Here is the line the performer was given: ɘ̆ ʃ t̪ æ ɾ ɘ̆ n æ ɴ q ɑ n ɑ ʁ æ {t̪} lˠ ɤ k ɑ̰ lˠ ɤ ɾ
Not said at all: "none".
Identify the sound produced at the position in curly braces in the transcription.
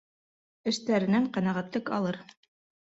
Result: t̪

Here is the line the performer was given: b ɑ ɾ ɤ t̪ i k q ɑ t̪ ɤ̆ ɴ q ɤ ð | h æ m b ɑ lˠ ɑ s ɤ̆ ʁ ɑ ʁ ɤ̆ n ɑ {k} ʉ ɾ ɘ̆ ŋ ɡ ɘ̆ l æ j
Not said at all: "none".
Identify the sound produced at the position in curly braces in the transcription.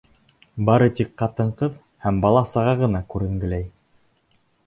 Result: k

